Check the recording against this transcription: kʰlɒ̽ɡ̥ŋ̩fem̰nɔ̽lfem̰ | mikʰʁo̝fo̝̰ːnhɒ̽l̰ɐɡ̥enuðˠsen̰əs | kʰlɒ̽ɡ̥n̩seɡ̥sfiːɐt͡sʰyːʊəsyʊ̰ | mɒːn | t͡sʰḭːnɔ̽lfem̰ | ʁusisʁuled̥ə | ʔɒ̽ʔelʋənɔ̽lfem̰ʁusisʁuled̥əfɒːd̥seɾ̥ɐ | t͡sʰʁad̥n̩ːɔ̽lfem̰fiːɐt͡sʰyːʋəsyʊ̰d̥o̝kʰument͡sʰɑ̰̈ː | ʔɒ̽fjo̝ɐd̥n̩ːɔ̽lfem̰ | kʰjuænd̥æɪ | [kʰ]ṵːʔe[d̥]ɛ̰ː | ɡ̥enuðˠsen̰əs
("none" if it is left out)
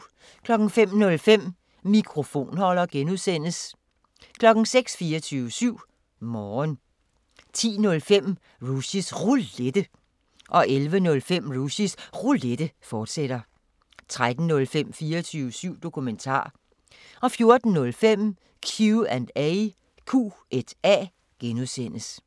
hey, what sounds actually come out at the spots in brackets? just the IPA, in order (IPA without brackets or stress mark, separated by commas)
kʰ, d̥